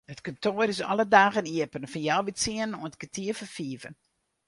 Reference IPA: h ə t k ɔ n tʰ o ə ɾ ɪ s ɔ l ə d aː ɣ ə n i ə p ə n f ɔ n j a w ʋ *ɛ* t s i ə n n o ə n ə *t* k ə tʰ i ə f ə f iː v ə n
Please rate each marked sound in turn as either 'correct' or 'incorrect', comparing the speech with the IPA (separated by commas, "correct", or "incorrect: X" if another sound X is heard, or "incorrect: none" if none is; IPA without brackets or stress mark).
incorrect: i, correct